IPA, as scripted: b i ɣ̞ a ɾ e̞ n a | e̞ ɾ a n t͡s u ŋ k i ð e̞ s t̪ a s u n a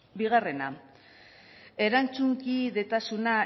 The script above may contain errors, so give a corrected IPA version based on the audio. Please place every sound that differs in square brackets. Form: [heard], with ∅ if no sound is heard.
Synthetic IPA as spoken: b i ɣ̞ a [r] e̞ n a | e̞ ɾ a n t͡s u ŋ k i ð e̞ [∅] t̪ a s u n a